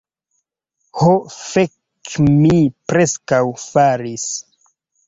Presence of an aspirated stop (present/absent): absent